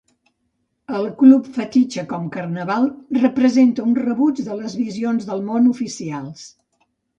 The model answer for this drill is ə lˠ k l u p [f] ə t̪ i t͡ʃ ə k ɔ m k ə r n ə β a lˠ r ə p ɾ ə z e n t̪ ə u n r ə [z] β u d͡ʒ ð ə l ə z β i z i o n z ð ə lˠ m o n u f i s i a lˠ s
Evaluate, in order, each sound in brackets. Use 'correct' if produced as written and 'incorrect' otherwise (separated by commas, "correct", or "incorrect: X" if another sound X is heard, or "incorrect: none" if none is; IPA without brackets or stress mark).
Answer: correct, incorrect: none